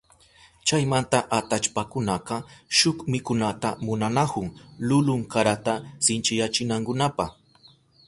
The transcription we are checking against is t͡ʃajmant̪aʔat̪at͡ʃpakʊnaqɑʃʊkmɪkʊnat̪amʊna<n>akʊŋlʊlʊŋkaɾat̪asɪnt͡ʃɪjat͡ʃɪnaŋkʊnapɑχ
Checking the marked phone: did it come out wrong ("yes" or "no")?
no